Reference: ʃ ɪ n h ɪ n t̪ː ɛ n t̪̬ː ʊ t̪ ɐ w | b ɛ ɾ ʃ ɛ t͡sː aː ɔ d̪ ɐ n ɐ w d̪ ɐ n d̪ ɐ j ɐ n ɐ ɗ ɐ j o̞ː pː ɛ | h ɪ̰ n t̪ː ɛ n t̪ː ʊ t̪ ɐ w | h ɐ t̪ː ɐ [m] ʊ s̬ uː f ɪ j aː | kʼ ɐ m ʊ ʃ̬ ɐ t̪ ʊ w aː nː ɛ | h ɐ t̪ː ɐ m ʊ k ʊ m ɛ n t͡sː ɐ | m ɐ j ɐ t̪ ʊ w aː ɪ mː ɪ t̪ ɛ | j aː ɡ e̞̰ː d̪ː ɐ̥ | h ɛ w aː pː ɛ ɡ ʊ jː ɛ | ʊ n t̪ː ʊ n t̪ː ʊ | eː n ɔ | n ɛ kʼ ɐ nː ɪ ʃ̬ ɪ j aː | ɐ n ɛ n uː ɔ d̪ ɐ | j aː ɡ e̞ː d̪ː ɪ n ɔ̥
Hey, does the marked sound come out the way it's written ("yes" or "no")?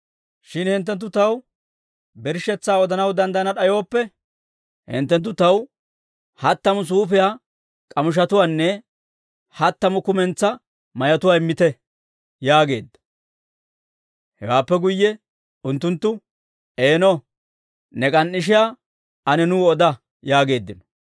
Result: yes